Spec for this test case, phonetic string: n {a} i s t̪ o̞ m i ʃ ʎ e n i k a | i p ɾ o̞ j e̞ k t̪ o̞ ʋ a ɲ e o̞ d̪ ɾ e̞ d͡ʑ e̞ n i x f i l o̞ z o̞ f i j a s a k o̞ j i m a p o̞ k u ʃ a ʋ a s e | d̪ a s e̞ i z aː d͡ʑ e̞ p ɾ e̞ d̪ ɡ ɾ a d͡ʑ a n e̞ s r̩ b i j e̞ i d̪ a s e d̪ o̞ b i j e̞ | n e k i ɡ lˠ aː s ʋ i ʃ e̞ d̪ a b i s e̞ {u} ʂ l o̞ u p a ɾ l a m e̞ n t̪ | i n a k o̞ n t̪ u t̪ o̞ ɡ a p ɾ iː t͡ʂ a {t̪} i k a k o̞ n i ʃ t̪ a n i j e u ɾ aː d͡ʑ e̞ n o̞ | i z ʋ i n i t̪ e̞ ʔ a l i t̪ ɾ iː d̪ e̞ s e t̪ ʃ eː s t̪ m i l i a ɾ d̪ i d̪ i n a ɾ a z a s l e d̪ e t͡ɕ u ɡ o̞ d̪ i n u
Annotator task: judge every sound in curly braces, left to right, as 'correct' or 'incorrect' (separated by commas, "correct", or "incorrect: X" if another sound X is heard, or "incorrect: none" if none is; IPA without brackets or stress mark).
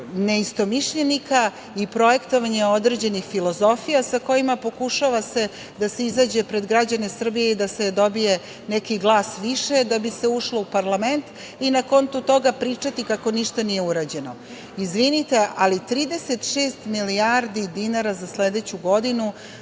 incorrect: e, correct, correct